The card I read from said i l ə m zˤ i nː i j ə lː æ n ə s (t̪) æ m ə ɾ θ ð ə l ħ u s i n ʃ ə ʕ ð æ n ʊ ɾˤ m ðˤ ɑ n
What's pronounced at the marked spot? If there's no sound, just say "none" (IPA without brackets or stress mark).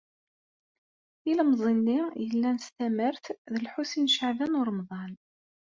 t̪